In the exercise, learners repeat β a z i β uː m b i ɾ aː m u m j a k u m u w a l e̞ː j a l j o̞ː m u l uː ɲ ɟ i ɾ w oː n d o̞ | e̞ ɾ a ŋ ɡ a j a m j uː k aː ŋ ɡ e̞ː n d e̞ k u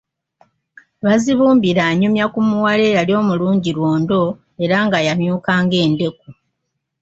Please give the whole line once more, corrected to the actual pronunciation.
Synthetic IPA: β a z i β uː m b i ɾ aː ɲ u m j a k u m u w a l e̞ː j a l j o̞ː m u l uː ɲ ɟ i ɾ w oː n d o̞ | e̞ ɾ a ŋ ɡ a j a m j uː k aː ŋ ɡ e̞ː n d e̞ k u